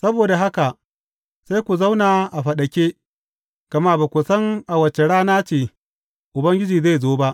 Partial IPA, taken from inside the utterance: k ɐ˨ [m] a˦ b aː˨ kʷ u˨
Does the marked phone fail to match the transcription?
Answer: no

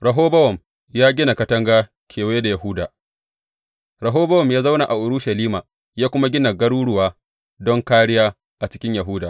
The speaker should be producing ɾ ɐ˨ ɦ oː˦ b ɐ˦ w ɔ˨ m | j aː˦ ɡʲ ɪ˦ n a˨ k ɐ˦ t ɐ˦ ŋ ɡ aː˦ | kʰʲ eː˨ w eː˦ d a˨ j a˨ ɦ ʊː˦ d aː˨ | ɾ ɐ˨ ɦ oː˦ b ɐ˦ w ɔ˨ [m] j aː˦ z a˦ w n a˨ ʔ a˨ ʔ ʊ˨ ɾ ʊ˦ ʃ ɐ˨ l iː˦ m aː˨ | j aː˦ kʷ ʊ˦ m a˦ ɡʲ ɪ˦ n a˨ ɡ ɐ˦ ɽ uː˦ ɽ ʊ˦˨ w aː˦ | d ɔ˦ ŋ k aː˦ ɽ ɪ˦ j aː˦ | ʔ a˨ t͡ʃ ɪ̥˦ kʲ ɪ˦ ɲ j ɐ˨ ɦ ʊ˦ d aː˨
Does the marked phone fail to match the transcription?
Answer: no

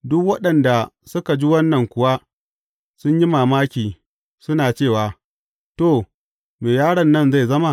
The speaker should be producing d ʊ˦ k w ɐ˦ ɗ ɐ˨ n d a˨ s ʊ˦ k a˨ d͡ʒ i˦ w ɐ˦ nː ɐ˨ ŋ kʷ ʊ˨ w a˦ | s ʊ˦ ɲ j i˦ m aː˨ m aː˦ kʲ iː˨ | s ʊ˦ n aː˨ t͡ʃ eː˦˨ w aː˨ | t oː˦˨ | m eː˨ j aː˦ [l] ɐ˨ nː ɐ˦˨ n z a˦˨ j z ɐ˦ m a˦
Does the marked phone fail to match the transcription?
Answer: yes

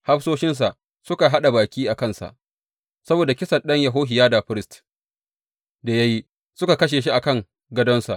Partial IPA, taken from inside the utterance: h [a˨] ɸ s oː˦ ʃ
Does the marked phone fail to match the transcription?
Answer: yes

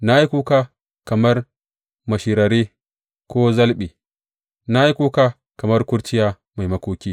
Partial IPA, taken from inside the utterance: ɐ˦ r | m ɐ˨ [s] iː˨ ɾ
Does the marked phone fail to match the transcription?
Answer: yes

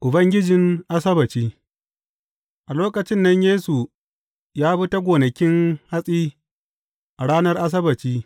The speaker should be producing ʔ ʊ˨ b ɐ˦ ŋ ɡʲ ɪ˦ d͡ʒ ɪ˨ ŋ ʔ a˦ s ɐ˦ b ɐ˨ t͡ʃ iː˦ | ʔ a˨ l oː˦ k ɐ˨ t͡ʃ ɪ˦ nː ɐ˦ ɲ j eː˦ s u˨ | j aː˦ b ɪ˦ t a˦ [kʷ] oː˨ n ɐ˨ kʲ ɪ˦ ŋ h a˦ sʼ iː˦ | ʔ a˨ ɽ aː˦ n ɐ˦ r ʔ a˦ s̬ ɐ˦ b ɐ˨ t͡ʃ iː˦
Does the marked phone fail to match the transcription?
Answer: yes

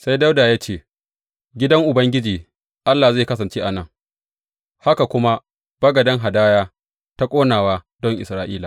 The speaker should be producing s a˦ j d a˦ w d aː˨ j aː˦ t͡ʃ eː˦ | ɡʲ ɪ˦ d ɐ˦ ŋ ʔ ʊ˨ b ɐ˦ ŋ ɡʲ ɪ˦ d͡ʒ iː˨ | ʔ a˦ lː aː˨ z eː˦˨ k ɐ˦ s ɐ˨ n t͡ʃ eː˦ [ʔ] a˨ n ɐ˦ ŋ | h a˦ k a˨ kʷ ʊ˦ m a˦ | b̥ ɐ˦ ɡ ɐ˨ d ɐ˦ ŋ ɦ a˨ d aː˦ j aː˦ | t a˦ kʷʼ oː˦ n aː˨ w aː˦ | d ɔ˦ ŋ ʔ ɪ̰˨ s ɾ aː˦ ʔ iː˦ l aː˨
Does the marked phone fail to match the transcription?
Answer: no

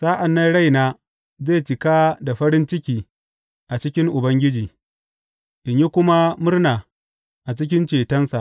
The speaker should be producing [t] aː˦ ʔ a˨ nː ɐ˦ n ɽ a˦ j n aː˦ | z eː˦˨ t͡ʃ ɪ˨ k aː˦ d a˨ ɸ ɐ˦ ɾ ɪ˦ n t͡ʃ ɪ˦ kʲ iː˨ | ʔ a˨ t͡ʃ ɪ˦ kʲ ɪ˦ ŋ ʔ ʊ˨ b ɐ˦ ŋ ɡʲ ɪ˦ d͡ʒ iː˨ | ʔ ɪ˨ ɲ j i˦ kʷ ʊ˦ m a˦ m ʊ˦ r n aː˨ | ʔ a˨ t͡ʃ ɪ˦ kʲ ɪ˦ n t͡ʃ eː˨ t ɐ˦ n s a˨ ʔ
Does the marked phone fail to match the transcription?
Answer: yes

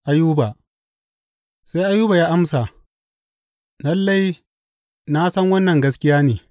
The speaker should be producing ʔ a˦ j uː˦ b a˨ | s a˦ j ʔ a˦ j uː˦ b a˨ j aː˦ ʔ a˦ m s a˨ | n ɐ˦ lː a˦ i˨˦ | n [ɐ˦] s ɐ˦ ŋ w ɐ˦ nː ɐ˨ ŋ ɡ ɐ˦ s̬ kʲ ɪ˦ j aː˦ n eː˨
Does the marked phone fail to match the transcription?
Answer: yes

